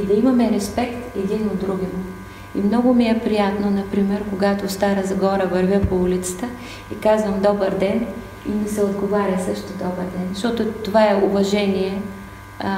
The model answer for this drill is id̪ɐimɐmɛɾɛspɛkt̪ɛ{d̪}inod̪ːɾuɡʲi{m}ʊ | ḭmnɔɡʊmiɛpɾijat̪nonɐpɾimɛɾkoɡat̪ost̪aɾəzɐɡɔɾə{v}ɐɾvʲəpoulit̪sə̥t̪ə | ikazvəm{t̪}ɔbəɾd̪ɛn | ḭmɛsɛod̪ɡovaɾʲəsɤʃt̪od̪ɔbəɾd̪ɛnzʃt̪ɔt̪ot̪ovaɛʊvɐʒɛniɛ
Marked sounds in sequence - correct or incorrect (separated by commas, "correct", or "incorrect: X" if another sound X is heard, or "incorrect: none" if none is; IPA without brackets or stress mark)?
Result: correct, correct, correct, incorrect: d̪